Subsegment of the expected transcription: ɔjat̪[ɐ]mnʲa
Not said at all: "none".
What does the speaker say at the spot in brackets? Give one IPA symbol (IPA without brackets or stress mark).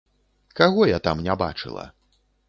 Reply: a